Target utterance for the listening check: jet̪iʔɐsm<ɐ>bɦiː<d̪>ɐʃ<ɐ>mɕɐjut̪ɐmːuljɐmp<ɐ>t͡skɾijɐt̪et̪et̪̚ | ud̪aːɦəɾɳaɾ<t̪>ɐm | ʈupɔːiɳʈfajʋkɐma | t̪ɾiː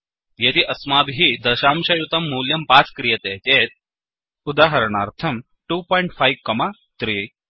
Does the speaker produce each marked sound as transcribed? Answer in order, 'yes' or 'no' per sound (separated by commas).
no, yes, no, no, no